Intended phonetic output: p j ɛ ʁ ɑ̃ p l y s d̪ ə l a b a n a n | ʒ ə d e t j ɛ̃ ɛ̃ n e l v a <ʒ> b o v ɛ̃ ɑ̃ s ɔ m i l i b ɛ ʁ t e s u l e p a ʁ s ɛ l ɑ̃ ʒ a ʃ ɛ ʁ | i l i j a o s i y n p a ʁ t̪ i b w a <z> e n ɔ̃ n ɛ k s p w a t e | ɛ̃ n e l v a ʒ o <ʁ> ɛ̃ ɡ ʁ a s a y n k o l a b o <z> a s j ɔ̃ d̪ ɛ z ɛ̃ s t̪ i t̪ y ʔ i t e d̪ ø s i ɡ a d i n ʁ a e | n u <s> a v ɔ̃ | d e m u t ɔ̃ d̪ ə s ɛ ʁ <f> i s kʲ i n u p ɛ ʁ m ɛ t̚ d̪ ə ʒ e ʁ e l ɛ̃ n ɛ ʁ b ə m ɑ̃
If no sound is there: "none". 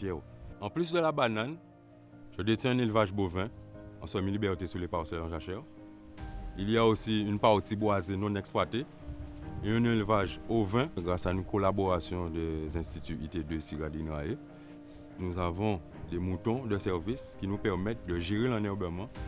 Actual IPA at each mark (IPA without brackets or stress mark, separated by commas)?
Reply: ʒ, z, v, ʁ, z, v